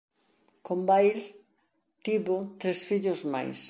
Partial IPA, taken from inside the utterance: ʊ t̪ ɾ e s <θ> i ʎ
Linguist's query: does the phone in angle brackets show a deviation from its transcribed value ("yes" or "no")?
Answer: yes